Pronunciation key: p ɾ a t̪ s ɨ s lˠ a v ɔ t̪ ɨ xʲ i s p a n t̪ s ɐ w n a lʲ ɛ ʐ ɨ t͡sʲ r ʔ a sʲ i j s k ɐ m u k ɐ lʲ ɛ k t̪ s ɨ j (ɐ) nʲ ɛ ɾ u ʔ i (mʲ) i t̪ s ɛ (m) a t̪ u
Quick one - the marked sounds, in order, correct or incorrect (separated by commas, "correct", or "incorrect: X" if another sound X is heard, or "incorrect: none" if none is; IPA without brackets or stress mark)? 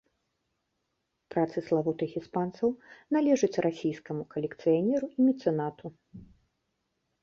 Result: incorrect: a, correct, incorrect: n